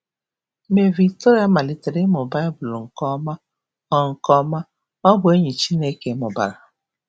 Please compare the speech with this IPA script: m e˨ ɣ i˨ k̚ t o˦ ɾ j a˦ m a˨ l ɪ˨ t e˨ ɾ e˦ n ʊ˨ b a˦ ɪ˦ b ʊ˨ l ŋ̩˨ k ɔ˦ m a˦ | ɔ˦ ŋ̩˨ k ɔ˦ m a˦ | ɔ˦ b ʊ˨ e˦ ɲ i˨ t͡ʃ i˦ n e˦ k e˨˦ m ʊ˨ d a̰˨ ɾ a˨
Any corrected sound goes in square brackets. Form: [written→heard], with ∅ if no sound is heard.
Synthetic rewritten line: m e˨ [ɣ→v] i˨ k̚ t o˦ ɾ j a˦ m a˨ l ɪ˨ t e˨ ɾ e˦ [n→m] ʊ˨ b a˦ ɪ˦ b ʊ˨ l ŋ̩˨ k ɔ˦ m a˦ | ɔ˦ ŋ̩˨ k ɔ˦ m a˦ | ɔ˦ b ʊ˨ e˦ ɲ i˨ t͡ʃ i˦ n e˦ k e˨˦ m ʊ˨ [d→b] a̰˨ ɾ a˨